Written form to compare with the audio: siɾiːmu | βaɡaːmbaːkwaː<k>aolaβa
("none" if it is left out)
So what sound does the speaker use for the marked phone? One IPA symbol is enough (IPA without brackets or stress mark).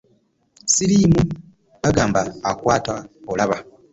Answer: t